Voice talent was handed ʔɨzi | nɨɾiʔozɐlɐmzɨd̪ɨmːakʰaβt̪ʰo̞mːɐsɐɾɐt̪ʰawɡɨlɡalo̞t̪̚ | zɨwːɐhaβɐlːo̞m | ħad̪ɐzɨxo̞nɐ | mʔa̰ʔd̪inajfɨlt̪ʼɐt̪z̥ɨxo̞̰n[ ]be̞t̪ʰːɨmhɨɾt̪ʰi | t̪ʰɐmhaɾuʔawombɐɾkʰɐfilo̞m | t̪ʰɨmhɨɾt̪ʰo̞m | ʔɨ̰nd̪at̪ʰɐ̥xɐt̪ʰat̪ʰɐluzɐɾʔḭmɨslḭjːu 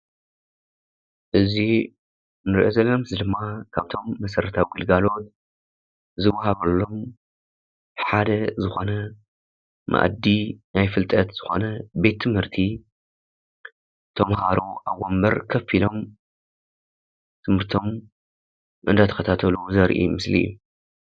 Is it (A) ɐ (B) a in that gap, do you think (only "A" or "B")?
A